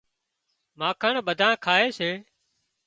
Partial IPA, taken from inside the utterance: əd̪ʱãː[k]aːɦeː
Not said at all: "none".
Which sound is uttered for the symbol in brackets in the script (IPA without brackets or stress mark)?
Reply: kʰ